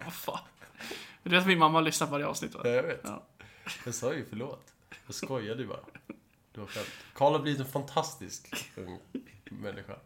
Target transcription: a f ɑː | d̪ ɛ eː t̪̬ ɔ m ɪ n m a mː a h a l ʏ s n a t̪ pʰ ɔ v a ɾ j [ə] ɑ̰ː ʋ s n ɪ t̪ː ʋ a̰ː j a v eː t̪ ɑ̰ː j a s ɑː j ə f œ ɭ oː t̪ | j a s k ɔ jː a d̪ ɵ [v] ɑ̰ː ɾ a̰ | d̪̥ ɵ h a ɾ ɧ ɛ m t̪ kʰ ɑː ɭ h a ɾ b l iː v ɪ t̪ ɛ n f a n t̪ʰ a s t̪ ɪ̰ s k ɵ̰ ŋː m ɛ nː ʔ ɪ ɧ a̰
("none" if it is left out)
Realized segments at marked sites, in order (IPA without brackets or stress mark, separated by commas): ə, b